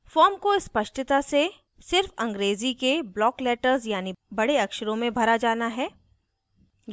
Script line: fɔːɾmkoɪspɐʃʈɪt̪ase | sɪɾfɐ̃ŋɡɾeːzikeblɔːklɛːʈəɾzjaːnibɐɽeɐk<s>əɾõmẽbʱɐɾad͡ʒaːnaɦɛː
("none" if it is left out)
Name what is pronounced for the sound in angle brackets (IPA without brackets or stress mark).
ʃ